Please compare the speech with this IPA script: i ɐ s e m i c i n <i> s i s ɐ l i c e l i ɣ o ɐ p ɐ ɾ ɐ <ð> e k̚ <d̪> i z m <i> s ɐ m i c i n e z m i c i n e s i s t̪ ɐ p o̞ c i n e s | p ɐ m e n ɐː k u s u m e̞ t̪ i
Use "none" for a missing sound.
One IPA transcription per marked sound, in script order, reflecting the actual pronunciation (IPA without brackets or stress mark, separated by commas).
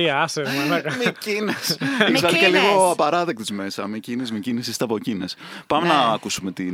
e, ð, t̪, e